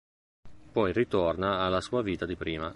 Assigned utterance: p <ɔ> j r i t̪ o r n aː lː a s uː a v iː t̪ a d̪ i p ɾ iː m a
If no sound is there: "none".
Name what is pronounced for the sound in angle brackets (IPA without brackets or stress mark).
ɔ